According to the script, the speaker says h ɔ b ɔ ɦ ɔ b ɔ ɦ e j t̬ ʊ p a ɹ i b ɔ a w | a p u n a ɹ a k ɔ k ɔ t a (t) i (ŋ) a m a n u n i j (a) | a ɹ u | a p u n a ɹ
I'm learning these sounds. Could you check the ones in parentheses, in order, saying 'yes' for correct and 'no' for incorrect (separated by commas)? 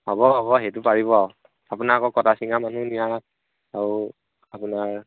no, yes, yes